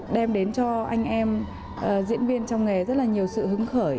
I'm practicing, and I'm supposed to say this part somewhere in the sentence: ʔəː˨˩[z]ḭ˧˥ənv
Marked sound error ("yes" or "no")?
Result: no